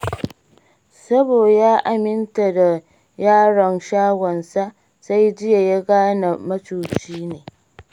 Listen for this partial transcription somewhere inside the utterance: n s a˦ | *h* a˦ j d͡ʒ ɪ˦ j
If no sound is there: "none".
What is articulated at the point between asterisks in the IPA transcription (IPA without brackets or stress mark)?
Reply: s